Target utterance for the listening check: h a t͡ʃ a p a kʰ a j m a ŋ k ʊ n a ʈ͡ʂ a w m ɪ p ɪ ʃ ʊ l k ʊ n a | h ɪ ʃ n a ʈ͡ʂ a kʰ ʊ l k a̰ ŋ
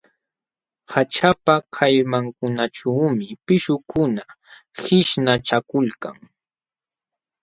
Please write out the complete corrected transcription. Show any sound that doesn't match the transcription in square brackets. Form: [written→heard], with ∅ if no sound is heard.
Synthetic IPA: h a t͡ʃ a p a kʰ a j m a ŋ k ʊ n a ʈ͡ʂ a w m ɪ p ɪ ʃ ʊ [l→∅] k ʊ n a | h ɪ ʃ n a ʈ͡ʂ a [kʰ→k] ʊ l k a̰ ŋ